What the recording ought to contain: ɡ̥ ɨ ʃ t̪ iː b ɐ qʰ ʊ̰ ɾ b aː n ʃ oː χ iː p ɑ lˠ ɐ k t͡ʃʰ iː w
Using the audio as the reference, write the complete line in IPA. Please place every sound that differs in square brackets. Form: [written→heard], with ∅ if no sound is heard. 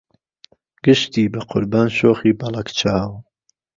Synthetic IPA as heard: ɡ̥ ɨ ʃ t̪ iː b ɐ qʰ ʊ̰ ɾ b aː n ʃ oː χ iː [p→b] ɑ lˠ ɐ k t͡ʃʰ [iː→aː] w